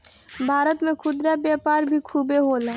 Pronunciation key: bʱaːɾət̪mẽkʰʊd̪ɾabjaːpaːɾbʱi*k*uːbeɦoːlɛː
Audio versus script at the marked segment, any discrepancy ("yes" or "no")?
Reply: yes